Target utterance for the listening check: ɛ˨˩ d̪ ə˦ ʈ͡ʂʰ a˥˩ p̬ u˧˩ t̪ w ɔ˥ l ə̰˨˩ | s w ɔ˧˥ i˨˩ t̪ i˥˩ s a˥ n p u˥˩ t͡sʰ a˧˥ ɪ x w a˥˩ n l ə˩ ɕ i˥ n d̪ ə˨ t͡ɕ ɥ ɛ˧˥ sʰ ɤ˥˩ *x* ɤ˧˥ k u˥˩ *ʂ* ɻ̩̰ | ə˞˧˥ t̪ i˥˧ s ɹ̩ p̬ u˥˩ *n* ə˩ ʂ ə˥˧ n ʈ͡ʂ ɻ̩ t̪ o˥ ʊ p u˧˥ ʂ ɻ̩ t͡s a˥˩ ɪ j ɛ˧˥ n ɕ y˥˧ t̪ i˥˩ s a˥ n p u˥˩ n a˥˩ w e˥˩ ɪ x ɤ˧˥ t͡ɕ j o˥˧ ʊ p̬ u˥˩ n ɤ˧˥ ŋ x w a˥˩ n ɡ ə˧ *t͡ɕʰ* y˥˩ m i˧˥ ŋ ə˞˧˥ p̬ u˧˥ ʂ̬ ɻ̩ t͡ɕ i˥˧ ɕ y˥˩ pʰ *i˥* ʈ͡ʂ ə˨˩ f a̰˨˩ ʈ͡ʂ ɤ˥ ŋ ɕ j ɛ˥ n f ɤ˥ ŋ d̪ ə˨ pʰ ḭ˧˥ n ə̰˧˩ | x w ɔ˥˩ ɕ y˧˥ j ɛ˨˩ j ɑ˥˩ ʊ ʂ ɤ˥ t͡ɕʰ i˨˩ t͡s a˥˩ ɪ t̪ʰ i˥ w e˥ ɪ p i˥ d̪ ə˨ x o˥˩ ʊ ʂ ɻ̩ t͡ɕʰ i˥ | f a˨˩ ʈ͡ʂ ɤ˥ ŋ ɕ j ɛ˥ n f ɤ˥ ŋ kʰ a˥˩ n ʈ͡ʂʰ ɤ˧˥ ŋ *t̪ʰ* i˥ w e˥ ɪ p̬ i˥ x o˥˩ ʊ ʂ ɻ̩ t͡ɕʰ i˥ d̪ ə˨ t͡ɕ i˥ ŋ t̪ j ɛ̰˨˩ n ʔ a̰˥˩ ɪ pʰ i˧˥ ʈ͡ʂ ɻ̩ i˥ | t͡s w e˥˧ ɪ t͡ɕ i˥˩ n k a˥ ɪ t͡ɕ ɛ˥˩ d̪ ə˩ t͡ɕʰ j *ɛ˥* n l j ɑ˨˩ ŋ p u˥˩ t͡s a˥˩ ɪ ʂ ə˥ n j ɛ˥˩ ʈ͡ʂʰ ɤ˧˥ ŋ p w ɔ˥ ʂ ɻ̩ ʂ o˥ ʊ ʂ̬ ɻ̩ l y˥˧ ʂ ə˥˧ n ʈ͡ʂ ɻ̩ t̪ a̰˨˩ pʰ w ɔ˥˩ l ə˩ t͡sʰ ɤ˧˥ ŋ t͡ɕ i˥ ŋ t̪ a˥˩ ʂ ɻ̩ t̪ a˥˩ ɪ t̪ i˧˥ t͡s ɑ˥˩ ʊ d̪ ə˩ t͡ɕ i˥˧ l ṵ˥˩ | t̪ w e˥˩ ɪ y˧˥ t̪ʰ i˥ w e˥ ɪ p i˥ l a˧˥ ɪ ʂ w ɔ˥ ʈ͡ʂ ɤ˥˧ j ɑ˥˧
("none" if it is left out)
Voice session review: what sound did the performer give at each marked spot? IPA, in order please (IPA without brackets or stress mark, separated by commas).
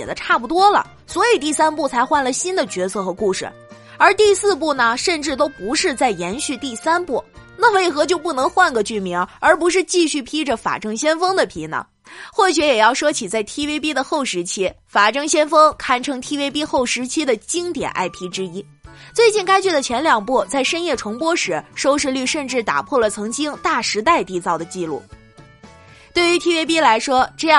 x, ʂ, n, t͡ɕ, i˥, t̪ʰ, ɛ˧˥